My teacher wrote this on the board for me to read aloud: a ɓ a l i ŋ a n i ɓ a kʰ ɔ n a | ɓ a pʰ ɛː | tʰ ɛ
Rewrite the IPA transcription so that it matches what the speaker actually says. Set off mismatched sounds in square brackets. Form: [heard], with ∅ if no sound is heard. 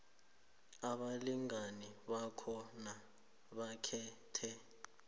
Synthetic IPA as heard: a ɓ a l i ŋ a n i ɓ a kʰ ɔ n a | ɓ a [kʰ] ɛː | tʰ ɛ